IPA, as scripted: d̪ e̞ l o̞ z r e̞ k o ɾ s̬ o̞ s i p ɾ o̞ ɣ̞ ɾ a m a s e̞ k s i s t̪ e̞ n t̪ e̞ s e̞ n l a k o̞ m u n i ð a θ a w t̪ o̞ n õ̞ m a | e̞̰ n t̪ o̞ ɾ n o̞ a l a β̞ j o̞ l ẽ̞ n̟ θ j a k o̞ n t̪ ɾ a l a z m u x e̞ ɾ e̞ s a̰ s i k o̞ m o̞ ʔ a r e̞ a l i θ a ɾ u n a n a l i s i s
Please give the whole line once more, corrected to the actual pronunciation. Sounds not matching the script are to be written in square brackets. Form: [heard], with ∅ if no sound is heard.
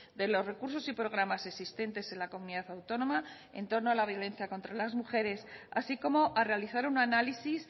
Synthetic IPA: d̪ e̞ l o̞ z r e̞ k [u] ɾ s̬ o̞ s i p ɾ o̞ ɣ̞ ɾ a m a s e̞ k s i s t̪ e̞ n t̪ e̞ s e̞ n l a k o̞ m u n i ð a θ a w t̪ o̞ n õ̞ m a | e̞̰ n t̪ o̞ ɾ n o̞ a l a β̞ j o̞ l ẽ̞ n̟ θ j a k o̞ n t̪ ɾ a l a z m u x e̞ ɾ e̞ s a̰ s i k o̞ m o̞ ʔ a r e̞ a l i θ a ɾ u n a n a l i s i s